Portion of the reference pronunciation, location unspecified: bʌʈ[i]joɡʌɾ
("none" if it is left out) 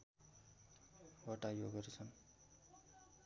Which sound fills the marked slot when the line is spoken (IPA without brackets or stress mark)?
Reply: a